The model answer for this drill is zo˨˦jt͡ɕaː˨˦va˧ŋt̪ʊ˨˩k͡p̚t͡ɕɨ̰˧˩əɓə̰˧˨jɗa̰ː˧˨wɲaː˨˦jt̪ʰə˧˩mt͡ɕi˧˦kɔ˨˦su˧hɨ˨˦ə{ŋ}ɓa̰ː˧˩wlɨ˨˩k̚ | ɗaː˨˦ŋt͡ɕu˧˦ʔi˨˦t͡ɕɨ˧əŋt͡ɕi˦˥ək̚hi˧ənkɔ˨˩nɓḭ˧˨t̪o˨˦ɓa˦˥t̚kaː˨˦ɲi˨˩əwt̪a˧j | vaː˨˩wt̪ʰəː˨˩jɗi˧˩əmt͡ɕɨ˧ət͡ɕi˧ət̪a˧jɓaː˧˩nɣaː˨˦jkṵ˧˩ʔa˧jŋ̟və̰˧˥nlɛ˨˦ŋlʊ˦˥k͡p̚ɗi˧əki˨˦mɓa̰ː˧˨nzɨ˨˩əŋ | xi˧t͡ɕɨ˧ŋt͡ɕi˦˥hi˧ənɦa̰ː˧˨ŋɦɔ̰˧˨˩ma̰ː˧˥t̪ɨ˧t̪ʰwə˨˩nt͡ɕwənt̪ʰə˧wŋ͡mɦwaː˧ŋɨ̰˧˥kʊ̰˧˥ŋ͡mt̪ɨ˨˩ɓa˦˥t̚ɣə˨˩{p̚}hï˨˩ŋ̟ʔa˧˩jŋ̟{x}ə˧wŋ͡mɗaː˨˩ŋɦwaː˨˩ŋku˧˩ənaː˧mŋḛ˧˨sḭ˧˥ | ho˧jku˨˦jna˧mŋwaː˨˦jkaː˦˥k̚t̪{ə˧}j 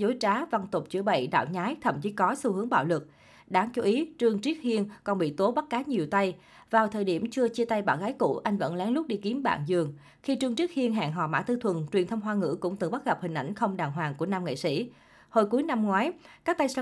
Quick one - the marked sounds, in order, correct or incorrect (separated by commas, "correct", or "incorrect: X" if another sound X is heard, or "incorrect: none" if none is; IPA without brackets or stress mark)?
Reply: correct, correct, correct, incorrect: a˧